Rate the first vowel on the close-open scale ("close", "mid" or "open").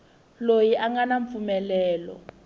mid